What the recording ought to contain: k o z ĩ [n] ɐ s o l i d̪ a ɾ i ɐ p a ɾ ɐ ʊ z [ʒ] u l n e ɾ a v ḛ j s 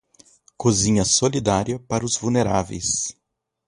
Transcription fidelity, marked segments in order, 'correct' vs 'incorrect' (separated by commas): incorrect, incorrect